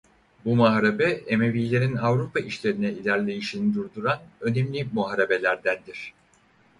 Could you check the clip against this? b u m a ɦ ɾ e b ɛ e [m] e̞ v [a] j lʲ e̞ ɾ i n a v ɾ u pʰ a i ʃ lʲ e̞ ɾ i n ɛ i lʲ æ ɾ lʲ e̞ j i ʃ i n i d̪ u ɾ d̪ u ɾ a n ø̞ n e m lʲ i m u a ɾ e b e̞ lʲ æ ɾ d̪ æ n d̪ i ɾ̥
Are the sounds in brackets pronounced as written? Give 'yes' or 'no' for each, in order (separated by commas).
yes, no